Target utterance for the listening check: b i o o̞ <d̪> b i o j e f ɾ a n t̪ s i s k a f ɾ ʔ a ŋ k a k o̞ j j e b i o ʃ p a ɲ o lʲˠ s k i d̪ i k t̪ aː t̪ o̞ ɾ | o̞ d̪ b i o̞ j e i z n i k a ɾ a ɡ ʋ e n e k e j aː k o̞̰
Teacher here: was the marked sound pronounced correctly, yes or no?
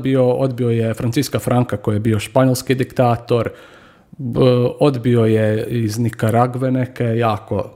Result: yes